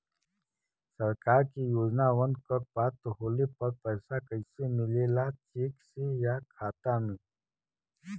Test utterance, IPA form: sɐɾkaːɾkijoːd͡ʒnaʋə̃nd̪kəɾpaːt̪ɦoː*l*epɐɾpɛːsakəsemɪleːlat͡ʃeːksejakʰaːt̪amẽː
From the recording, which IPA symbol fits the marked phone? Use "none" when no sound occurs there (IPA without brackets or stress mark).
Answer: l